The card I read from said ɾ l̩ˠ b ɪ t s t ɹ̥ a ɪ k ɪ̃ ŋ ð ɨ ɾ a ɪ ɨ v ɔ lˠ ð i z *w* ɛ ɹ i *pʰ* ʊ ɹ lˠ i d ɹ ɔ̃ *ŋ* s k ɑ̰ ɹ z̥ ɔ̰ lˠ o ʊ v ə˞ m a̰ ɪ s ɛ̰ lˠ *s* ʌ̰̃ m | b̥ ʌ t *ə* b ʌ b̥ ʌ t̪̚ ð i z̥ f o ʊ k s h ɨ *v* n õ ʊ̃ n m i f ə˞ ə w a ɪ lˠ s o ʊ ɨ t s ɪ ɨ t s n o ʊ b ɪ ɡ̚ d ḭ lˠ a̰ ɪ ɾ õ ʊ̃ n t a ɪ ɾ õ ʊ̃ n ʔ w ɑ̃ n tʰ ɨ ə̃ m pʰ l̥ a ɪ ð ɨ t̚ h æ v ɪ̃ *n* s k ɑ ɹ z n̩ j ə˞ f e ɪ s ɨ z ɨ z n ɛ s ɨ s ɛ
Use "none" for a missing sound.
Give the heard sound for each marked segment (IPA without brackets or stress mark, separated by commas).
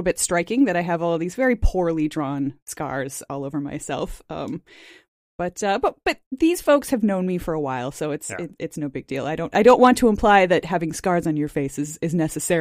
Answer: v, pʰ, n, f, ʌ, v, ŋ